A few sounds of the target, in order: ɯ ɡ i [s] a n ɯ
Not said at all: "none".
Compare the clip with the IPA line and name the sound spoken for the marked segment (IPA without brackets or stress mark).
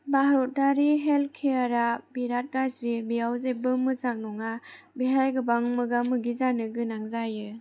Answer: z